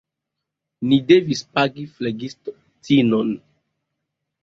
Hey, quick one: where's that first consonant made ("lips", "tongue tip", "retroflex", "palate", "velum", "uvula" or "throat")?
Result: tongue tip